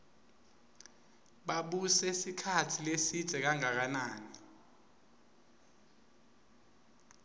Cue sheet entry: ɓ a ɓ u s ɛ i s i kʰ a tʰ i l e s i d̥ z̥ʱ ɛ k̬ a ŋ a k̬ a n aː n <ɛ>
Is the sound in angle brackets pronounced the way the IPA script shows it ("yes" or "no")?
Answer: no